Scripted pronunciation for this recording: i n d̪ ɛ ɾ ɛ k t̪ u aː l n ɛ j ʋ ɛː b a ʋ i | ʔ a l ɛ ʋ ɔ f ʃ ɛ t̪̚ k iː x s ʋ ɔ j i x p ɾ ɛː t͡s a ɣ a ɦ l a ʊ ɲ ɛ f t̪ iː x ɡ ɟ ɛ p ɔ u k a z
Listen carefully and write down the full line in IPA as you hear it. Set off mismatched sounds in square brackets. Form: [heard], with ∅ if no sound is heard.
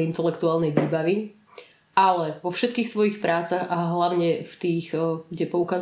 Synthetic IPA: i n [t̪] ɛ [l] ɛ k t̪ u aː l n ɛ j ʋ [iː] b a ʋ i | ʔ a l ɛ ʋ ɔ f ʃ ɛ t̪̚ k iː x s ʋ ɔ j i x p ɾ [aː] t͡s a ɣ a ɦ l a ʊ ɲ ɛ f t̪ iː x ɡ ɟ ɛ p ɔ u k a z